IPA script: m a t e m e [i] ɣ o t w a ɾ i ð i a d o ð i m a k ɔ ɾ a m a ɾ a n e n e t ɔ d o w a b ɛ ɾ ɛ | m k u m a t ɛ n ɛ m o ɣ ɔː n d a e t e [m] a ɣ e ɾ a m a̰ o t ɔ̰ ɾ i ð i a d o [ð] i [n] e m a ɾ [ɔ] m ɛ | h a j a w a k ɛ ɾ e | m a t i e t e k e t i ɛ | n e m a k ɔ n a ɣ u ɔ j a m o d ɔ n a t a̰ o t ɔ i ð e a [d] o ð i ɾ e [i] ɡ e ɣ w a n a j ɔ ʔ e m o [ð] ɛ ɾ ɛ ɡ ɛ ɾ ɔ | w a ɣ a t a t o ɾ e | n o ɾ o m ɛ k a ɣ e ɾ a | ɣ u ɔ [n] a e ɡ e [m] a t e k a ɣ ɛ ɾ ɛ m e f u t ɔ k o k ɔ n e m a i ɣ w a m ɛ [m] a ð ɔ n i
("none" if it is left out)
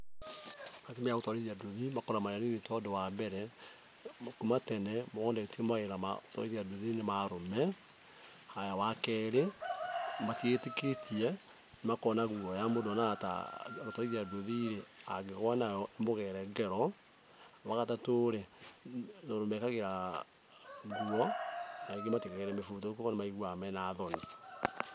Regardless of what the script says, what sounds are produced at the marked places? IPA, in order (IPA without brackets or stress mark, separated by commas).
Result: a, m, ð, n, o, d, a, ɣ, n, m, n